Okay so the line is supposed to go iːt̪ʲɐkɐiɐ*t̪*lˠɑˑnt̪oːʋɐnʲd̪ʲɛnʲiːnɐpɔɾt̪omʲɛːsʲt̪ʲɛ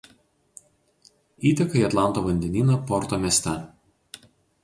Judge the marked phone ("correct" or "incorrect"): correct